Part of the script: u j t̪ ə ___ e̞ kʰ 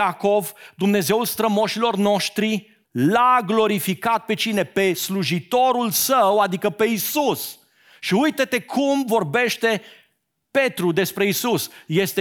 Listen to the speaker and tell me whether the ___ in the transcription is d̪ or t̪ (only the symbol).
t̪